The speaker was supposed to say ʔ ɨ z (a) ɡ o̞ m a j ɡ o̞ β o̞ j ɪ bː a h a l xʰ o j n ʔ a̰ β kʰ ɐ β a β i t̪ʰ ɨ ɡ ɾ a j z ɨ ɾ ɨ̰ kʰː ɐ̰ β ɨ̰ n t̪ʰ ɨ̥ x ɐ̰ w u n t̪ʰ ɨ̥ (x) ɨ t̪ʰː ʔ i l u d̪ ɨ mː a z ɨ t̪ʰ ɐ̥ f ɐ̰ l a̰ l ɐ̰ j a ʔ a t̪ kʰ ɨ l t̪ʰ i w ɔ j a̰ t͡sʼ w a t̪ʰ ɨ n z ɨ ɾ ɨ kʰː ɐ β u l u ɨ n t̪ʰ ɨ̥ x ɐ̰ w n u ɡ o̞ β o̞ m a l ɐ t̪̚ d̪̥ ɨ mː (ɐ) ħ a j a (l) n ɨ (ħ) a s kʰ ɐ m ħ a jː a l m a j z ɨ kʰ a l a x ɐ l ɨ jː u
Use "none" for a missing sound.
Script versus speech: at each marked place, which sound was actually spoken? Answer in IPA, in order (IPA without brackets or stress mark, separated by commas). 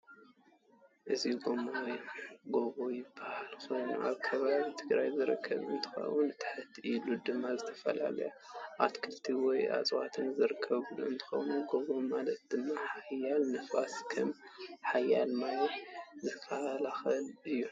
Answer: i, ħ, a, l, f